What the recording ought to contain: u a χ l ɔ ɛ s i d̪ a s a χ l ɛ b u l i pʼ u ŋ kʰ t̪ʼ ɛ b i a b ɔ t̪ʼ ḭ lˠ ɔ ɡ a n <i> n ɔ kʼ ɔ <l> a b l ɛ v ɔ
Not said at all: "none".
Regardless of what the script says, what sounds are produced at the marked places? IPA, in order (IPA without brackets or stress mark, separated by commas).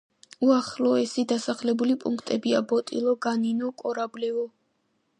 i, ɾ